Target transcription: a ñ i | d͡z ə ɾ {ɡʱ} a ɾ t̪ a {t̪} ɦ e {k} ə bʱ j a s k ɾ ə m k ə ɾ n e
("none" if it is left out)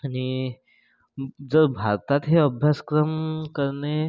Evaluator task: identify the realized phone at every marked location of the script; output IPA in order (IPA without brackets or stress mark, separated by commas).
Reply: bʱ, t̪, none